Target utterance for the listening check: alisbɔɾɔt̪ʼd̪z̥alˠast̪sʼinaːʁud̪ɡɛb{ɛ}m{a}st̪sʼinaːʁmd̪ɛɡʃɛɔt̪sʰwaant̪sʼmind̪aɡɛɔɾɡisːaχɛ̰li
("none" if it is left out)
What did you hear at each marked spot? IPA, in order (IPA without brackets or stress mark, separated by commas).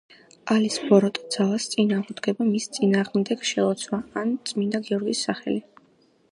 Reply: a, i